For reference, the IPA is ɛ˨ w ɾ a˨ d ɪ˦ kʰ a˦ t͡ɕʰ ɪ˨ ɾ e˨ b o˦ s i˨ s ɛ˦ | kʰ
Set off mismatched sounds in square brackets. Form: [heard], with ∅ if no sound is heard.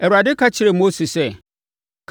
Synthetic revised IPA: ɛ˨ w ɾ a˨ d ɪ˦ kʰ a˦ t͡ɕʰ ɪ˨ ɾ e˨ [m] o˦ s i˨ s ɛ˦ | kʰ

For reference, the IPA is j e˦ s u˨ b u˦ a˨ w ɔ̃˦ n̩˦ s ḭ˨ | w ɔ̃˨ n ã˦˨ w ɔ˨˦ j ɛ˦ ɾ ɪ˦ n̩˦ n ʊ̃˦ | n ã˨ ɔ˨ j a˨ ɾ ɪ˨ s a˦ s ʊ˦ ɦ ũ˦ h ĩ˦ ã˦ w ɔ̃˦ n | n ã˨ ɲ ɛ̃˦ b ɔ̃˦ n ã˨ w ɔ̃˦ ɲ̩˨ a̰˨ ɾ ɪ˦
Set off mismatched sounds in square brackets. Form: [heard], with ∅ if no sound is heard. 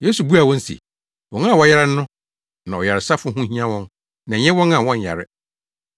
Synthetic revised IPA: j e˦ s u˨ b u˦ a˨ w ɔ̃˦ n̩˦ s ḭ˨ | w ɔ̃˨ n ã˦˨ w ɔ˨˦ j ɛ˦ ɾ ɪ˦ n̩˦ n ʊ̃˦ | n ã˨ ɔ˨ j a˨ ɾ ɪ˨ s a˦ [f] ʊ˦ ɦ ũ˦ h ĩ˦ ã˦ w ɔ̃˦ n | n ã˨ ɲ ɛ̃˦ [w] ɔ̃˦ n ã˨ w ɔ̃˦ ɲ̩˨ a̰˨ ɾ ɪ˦

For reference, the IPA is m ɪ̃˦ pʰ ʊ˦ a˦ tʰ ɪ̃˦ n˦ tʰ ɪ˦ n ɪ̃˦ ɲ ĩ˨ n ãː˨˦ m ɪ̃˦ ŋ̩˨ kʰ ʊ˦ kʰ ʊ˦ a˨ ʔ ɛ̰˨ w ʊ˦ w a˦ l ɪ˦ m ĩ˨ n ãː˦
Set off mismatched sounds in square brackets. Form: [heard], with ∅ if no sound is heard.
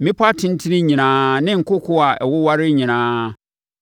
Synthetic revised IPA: m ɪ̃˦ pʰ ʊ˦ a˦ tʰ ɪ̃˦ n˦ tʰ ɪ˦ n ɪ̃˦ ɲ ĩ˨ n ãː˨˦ [n] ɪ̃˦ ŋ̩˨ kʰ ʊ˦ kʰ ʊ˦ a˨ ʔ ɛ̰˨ w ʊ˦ w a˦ [ɾ] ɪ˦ [ɲ] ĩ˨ n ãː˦

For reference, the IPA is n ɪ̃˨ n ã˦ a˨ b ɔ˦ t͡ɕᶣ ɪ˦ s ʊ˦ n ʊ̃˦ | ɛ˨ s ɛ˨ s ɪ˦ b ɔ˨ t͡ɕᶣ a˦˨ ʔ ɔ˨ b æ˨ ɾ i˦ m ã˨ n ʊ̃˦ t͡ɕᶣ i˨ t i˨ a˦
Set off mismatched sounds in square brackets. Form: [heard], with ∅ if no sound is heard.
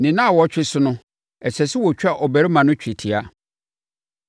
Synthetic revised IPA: n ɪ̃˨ n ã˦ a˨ [w] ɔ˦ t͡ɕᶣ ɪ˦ s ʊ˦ n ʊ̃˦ | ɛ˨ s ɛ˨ s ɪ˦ [w] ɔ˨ t͡ɕᶣ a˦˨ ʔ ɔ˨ b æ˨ ɾ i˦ m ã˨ n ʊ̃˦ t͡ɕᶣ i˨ [tʰ] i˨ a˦

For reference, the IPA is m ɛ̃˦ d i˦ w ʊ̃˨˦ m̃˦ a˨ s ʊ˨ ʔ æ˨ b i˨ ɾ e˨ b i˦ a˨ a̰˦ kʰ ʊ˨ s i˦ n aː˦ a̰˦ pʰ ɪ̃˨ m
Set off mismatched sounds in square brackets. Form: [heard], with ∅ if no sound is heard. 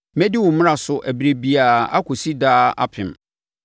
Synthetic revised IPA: m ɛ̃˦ d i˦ w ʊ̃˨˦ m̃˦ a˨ s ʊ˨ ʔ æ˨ b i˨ ɾ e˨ b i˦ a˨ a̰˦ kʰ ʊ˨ s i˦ [d] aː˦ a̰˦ pʰ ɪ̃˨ m

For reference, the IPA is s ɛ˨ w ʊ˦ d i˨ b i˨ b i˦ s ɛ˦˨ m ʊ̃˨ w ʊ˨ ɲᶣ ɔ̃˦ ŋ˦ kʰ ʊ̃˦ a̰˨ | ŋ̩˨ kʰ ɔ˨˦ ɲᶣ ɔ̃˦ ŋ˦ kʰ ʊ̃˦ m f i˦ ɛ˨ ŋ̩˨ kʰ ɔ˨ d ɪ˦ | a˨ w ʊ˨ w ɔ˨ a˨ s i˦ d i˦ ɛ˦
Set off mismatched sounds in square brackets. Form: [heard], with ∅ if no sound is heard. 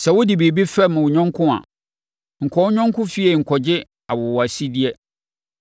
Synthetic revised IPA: s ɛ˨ w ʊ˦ d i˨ b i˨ b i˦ [f] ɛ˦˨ m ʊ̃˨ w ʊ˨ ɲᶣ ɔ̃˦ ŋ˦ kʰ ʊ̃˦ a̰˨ | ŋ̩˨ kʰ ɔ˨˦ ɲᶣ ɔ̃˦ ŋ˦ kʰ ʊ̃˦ [∅] f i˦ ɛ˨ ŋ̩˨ kʰ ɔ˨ [d͡ʑ] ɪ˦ | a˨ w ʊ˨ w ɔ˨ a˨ s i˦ d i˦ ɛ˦

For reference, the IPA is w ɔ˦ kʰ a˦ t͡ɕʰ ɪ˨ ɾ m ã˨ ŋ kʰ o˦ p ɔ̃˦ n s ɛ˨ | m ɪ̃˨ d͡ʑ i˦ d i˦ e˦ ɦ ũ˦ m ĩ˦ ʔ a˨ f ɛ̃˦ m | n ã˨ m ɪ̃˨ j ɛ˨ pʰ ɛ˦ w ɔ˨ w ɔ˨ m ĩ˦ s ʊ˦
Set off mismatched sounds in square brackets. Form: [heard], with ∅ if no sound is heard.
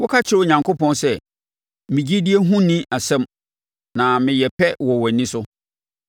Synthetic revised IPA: w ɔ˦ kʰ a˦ t͡ɕʰ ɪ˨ ɾ [ɲ] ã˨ ŋ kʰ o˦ p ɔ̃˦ n s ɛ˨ | m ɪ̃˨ d͡ʑ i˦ d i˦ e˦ ɦ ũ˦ [n] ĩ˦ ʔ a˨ [s] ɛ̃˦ m | n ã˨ m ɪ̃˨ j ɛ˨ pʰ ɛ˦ w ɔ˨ w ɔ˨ [n] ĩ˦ s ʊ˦

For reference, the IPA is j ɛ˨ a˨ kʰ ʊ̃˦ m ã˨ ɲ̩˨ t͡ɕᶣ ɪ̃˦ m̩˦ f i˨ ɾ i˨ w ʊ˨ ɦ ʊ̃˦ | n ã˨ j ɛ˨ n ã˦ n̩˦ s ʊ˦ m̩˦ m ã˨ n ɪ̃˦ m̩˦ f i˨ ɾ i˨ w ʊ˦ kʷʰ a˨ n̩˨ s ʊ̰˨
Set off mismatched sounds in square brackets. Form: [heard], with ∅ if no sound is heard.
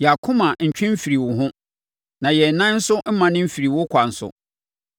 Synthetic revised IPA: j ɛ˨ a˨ kʰ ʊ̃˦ m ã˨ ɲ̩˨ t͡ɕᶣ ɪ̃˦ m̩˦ f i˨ ɾ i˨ w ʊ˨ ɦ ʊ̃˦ | n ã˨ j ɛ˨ n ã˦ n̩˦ s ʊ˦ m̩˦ m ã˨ n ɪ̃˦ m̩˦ f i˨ ɾ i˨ w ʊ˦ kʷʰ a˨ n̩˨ s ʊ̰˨

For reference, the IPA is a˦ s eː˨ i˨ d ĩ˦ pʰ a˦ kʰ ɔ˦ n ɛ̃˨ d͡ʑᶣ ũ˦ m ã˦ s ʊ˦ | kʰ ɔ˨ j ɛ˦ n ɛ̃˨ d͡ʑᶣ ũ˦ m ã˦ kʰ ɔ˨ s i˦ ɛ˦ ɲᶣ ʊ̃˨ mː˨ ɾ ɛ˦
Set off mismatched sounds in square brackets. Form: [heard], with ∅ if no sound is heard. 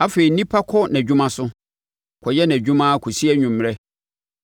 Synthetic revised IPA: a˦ [f] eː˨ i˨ [n] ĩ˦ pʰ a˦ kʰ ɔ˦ n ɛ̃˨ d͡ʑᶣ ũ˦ m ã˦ s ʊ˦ | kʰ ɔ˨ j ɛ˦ n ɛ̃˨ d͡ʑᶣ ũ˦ m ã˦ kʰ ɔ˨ s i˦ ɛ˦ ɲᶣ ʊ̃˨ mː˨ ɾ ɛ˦

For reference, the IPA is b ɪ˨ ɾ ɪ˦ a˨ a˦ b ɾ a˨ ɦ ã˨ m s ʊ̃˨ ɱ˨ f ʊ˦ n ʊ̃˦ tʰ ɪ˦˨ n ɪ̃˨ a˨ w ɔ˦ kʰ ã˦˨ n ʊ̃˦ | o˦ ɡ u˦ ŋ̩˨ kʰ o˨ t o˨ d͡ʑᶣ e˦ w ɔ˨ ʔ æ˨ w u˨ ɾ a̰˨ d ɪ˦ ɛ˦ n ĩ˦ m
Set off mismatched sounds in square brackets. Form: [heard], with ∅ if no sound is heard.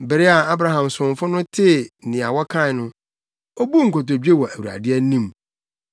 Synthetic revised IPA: b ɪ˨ ɾ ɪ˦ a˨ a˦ b ɾ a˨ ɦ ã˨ m s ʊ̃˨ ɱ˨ f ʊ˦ n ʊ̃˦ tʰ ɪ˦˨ n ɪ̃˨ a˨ w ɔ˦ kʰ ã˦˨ n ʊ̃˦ | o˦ [b] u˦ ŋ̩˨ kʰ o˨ t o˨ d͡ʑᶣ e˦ w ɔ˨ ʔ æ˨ w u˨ ɾ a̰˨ d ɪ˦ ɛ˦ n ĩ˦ m

